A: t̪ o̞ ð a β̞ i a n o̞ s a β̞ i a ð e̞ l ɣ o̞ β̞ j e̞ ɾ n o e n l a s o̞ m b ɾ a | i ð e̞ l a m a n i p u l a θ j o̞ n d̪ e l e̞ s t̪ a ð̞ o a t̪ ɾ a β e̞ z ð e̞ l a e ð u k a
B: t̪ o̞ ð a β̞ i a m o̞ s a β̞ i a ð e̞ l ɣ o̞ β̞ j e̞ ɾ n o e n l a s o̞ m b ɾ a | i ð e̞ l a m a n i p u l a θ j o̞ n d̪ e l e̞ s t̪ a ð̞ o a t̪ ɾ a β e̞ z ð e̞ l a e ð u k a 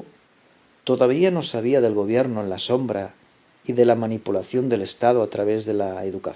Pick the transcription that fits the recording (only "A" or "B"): A